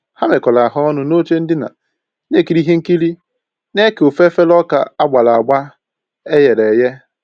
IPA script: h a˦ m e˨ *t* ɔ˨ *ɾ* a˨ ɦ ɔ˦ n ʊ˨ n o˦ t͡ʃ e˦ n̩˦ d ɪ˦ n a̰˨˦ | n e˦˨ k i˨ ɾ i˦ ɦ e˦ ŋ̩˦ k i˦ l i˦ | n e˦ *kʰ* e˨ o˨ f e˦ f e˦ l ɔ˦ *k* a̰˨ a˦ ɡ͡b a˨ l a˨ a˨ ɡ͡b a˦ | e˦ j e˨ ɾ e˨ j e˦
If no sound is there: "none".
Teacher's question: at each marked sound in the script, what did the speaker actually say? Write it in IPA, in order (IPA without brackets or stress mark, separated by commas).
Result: k, l, k, k